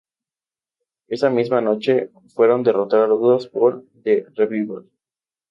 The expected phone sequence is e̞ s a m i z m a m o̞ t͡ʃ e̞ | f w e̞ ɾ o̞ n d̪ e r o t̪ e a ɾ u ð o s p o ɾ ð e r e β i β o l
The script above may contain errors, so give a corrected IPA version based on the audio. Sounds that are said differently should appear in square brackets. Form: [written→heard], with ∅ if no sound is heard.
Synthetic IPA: e̞ s a m i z m a [m→n] o̞ t͡ʃ e̞ | f w e̞ ɾ o̞ n d̪ e r o t̪ [e→a] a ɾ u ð o s p o ɾ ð e r e β i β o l